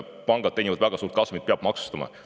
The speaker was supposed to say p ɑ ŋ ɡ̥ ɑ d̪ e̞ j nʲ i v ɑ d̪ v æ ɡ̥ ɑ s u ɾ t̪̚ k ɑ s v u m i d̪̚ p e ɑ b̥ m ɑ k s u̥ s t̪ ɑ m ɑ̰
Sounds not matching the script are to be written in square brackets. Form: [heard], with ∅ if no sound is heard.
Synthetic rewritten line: p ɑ ŋ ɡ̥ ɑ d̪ e̞ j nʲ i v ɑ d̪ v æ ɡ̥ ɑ s [uː] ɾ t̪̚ k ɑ s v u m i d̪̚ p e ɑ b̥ m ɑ k s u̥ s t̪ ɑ m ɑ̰